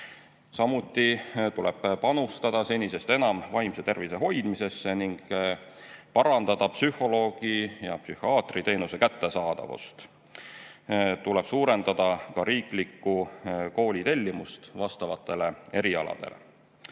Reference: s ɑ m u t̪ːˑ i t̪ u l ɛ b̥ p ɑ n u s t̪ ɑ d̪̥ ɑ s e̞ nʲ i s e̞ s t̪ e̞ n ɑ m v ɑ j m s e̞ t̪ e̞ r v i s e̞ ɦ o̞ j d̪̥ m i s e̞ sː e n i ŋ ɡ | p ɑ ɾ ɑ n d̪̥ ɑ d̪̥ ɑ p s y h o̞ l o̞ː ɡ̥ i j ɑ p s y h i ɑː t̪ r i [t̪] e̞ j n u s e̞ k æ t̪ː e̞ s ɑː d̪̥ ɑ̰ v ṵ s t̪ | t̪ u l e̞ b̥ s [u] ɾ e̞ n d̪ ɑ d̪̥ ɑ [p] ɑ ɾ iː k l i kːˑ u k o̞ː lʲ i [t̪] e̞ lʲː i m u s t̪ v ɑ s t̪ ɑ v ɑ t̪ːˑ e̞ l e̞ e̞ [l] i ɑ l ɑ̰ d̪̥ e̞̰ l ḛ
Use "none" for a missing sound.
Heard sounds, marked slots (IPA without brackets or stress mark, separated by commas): t̪, uː, k, t̪, ɾ